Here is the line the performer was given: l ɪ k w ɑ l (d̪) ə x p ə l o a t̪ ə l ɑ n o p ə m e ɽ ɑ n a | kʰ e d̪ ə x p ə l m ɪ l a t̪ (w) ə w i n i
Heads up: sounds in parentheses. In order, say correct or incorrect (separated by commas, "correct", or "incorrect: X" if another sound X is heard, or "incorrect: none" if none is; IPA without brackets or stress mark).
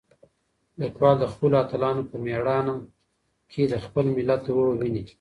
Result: correct, correct